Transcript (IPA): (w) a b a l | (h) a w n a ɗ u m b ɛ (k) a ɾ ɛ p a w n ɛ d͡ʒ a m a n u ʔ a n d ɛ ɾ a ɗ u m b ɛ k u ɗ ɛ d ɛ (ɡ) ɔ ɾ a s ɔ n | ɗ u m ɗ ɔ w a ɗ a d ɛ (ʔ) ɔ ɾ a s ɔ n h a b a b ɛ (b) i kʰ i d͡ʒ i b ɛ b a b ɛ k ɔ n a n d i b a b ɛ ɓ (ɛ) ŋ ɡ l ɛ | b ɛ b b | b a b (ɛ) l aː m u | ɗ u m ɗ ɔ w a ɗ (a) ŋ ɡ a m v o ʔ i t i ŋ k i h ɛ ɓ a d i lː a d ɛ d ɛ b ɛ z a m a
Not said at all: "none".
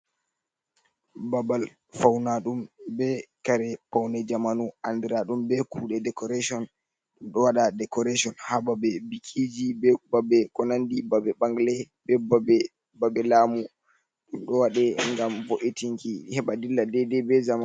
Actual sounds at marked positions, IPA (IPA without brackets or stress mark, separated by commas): b, f, k, k, k, b, a, ɛ, ɛ